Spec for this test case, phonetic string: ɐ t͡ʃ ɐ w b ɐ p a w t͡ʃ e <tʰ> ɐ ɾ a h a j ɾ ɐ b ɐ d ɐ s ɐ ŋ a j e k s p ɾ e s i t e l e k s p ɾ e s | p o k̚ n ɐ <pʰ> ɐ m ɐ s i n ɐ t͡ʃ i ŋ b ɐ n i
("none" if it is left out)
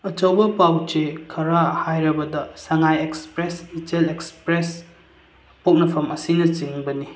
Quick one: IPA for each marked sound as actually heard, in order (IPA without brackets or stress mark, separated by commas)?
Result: kʰ, pʰ